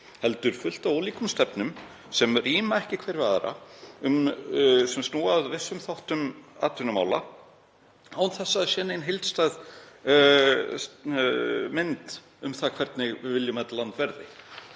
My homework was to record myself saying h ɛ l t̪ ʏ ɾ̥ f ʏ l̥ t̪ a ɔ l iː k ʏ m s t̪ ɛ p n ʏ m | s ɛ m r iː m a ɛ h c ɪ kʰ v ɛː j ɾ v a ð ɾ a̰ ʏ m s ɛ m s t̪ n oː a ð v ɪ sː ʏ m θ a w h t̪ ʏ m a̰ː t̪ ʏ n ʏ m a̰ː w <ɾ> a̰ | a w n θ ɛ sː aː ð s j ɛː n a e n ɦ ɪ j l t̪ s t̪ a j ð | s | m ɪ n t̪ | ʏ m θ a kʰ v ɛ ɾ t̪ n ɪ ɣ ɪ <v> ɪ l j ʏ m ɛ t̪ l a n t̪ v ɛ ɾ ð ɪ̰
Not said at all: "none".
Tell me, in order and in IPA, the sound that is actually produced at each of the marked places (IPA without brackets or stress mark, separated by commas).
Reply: l, v